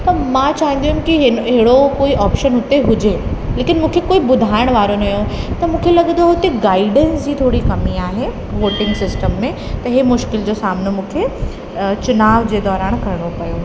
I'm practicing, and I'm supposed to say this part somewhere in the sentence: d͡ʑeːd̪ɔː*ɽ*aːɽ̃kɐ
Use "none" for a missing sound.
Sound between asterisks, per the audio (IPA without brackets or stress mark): ɾ